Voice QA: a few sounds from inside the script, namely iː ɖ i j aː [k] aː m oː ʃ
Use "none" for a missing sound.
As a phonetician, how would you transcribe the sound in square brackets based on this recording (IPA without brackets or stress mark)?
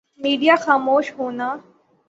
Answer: x